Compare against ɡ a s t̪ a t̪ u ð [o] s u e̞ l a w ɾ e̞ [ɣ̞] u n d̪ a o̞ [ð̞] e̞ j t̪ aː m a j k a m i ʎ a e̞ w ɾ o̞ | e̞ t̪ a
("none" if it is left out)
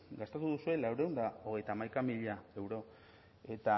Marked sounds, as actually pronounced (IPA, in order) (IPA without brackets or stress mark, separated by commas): u, none, ɣ̞